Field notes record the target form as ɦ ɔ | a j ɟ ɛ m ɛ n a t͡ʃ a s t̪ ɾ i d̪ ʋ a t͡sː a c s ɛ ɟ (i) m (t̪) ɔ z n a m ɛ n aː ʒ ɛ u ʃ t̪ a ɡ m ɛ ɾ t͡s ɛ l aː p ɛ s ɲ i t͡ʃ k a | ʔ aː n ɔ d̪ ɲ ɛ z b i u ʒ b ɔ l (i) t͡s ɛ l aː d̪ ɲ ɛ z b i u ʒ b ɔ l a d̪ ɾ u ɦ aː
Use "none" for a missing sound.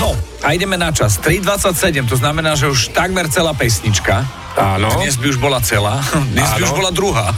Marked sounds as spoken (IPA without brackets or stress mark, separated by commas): ɛ, t̪, a